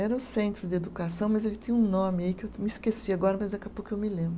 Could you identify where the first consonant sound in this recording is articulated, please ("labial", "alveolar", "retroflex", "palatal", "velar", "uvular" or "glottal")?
alveolar